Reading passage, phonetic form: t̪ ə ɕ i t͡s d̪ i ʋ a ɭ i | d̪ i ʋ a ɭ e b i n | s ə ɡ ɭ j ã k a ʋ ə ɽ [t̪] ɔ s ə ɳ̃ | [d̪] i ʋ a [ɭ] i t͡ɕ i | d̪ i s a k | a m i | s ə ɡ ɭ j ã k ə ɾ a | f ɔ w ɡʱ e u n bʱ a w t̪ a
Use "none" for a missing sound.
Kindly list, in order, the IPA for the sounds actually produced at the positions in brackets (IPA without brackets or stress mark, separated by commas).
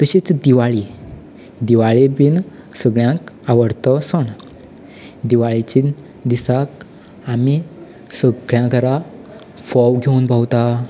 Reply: t̪, d̪, ɭ